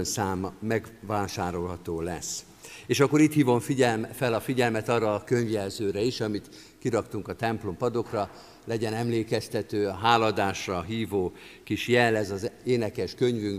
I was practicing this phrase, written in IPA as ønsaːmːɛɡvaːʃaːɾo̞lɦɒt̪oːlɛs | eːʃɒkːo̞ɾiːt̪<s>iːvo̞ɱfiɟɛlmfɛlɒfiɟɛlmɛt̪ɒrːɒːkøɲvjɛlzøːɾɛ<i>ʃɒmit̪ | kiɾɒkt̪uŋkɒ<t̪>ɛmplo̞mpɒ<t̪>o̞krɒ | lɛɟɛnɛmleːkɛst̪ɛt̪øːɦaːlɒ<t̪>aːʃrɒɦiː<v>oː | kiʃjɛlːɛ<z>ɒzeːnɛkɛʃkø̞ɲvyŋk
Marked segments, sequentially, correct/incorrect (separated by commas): incorrect, correct, correct, incorrect, incorrect, correct, correct